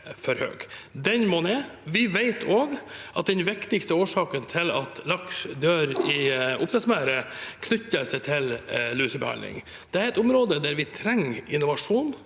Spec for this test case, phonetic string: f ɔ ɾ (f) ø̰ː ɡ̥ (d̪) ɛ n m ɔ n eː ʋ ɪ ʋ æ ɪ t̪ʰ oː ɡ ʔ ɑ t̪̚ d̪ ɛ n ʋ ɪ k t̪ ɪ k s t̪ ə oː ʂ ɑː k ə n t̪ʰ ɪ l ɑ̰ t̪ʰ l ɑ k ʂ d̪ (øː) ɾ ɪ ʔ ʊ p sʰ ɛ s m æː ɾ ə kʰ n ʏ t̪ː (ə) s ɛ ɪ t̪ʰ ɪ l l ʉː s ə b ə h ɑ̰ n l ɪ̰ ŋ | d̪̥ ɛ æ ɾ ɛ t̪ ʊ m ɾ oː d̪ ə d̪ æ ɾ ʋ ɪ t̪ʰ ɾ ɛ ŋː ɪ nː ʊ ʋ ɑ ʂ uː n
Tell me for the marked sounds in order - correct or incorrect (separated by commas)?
incorrect, correct, correct, correct